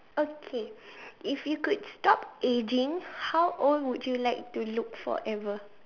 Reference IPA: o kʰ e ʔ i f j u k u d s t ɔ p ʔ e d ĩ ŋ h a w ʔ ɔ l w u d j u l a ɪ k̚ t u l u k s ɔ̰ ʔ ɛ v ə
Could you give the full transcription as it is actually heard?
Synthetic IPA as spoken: o kʰ e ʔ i f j u k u d s t ɔ p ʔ e d͡ʒ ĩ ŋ h a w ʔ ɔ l w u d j u l a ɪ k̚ t u l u k f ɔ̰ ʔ ɛ v ə